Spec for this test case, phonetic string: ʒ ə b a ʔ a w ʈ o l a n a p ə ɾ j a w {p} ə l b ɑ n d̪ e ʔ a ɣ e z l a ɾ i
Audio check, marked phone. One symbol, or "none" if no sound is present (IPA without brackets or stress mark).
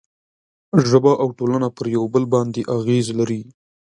b